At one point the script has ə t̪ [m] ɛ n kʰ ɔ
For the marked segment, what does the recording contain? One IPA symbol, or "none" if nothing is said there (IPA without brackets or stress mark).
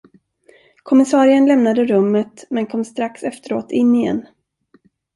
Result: m